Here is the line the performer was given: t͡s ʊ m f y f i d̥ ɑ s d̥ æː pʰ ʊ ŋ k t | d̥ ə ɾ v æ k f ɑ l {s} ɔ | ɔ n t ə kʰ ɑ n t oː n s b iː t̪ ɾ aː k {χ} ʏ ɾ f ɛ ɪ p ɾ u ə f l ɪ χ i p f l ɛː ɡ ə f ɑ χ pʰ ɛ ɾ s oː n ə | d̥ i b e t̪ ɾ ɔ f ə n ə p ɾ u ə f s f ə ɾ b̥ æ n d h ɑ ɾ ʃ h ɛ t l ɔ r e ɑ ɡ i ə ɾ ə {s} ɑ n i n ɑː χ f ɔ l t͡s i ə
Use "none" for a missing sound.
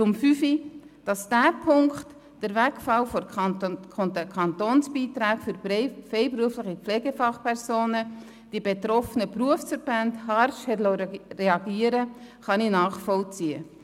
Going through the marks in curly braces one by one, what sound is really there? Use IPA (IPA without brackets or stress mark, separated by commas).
f, f, χ